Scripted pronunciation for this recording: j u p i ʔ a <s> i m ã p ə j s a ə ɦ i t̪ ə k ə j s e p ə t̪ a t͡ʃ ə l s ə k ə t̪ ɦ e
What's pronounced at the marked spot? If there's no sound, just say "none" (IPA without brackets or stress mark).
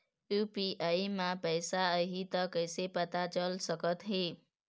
none